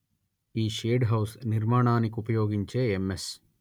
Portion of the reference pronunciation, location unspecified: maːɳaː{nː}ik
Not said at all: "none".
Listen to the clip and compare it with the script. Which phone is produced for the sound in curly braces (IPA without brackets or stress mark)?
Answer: n